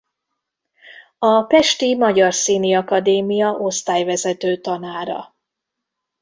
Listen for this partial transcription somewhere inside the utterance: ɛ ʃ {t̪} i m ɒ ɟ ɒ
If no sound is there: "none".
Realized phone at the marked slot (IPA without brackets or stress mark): t̪